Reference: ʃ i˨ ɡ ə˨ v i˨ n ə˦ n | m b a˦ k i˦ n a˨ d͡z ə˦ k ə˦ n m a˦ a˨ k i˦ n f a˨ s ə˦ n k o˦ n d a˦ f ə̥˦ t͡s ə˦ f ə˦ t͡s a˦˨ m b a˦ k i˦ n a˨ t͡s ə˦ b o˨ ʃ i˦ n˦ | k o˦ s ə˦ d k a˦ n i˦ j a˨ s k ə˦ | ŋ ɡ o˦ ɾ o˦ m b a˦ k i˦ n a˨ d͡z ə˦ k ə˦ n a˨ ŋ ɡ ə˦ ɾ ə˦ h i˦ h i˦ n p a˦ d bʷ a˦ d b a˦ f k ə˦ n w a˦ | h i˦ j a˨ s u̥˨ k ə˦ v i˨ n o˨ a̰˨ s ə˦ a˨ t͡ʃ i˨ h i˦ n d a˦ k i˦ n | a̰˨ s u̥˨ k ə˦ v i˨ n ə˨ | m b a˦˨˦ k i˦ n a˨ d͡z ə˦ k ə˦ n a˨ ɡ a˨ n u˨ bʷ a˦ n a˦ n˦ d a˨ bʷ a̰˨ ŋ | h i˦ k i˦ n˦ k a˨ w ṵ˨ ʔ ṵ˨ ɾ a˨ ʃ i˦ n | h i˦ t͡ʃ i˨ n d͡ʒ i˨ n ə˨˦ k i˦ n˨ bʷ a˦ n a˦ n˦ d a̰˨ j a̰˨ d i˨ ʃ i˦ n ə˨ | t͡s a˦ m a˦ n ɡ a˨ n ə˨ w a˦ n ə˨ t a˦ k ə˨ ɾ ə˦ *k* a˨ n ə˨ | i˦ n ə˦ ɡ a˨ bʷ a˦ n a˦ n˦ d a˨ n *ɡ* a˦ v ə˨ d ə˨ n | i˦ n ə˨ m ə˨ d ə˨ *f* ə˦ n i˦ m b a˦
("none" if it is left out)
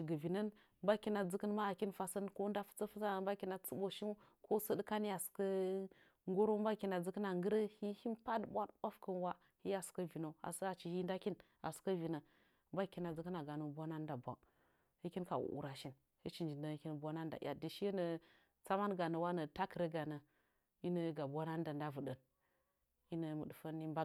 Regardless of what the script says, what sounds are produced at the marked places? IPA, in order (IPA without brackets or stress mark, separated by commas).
ɡ, d, f